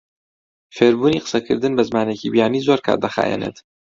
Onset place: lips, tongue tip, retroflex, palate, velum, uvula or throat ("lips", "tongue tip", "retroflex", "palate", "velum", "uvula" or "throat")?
lips